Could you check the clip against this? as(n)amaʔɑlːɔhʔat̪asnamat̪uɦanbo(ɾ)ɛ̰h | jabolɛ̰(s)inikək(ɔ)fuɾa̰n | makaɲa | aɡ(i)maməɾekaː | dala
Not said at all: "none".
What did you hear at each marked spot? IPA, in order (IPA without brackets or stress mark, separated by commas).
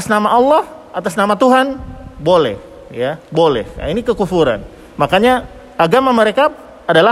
n, l, h, u, a